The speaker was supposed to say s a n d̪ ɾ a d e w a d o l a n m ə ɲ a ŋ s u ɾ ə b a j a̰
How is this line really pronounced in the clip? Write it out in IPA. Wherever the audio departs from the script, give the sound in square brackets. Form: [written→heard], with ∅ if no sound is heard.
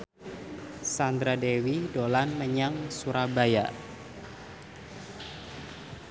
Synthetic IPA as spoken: s a n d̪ ɾ a d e w [a→i] d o l a n m ə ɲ a ŋ s u ɾ [ə→a] b a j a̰